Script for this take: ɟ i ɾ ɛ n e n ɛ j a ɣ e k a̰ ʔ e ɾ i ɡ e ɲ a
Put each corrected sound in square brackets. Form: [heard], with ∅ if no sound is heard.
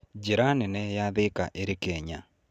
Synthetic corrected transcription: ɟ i ɾ [a] n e n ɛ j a [ð] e k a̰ ʔ e ɾ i [k] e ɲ a